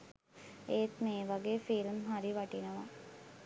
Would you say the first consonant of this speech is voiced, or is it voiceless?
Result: voiceless